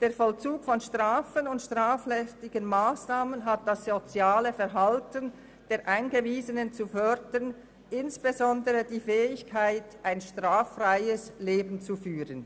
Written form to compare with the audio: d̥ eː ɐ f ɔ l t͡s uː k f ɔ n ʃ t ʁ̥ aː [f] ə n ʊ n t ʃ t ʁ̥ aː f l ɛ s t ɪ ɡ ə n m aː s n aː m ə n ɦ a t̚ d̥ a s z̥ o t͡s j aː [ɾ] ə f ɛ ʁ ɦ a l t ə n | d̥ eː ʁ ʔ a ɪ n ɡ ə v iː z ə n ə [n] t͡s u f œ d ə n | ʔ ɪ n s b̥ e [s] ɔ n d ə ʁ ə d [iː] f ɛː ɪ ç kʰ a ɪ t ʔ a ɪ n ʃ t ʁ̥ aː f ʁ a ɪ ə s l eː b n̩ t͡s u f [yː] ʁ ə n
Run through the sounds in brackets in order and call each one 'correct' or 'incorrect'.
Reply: correct, incorrect: l, correct, incorrect: z, correct, correct

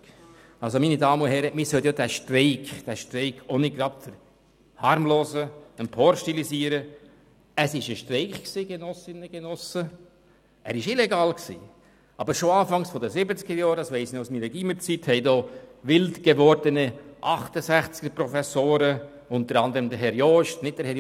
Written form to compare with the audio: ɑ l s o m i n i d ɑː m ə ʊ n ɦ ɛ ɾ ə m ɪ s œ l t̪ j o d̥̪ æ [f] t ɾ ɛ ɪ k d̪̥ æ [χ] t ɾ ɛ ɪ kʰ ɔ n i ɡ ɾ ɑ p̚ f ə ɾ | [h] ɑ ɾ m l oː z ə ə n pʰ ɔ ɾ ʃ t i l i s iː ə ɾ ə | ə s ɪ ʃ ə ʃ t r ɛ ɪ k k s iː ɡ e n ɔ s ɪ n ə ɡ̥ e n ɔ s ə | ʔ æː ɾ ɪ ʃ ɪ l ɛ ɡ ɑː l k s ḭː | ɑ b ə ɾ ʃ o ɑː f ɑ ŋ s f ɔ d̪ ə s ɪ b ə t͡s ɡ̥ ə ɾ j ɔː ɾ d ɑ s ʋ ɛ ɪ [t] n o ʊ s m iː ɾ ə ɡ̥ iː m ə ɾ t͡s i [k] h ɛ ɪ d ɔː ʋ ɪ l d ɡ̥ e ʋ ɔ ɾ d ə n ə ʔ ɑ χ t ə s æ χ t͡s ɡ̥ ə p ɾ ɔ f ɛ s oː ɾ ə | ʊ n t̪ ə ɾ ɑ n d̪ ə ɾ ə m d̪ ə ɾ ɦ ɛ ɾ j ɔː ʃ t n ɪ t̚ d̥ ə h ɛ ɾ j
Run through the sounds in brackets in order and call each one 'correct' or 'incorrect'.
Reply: incorrect: ʃ, incorrect: ʃ, correct, incorrect: s, incorrect: t

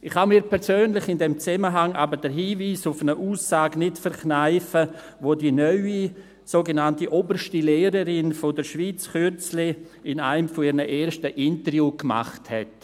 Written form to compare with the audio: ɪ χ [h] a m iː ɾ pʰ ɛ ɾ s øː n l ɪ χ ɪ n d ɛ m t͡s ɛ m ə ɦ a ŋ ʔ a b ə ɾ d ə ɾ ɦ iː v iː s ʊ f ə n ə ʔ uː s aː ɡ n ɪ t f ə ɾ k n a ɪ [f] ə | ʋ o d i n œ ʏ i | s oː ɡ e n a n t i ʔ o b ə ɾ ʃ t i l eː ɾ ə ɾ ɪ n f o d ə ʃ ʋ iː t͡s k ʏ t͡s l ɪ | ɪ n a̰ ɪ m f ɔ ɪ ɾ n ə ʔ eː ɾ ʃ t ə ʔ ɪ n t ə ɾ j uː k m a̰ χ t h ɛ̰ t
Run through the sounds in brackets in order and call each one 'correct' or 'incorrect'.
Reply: correct, correct

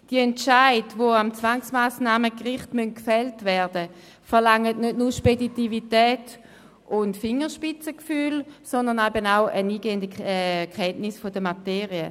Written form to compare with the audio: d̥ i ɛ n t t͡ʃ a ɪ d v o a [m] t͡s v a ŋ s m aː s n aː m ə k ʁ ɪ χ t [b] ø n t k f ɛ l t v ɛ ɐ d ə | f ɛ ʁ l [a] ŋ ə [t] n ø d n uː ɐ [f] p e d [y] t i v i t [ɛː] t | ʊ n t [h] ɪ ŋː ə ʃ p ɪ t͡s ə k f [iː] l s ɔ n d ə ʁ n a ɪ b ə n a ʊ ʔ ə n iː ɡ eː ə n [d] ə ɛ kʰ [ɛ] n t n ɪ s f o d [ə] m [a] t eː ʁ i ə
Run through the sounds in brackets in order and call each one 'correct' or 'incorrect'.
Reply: correct, incorrect: m, correct, correct, incorrect: ʃ, incorrect: i, correct, incorrect: f, incorrect: yː, correct, correct, correct, correct

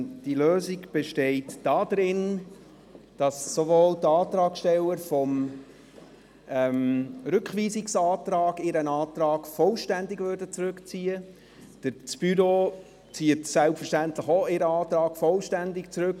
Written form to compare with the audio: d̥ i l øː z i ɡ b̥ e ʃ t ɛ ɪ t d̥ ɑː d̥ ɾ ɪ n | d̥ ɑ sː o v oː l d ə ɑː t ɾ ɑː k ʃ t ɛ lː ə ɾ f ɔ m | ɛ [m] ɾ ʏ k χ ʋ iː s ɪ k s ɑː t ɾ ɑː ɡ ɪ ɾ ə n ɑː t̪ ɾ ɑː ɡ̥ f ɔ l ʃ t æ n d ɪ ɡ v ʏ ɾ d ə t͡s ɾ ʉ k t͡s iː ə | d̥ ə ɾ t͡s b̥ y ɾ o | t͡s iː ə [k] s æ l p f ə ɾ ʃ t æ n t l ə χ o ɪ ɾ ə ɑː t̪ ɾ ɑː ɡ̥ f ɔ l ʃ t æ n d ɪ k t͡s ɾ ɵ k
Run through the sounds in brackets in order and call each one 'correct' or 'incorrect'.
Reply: correct, incorrect: t

